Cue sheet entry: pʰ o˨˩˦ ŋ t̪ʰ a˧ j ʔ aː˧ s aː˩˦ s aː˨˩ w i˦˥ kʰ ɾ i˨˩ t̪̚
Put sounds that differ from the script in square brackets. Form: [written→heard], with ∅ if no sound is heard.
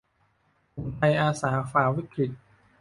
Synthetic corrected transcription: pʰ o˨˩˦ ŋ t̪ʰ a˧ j ʔ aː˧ s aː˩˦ [s→f] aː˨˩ w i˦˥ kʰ ɾ i˨˩ t̪̚